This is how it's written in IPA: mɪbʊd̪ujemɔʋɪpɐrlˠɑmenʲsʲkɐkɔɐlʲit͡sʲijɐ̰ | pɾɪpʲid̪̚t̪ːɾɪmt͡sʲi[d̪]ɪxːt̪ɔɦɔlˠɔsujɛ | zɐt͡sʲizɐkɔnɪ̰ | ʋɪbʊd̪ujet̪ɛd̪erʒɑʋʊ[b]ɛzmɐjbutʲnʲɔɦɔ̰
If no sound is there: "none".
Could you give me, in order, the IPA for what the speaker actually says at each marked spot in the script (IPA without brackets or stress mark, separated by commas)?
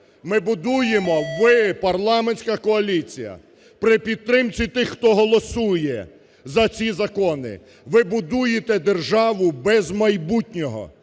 t̪, b